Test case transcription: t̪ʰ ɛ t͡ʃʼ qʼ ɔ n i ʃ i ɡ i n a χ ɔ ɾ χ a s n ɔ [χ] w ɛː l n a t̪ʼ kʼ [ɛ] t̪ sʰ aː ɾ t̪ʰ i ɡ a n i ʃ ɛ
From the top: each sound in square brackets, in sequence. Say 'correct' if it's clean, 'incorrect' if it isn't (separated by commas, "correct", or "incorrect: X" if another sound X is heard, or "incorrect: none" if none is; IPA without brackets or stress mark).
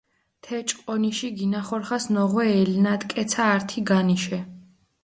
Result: incorrect: ʁ, correct